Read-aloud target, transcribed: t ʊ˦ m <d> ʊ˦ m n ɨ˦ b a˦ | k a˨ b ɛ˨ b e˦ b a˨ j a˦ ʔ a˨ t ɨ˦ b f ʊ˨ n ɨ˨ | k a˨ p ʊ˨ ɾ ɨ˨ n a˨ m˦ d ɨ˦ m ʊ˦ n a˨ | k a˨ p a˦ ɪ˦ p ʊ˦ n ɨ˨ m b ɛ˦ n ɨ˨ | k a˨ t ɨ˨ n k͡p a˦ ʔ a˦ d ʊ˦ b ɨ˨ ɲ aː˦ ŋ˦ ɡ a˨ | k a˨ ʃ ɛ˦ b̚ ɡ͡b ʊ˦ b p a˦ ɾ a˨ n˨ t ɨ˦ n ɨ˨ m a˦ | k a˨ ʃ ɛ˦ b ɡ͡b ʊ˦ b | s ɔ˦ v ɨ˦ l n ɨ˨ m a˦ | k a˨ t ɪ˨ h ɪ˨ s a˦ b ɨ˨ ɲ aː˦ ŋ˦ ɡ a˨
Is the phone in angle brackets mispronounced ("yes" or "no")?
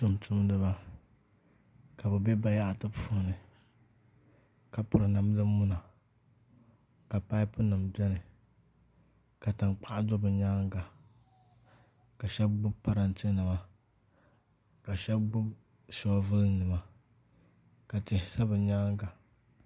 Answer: yes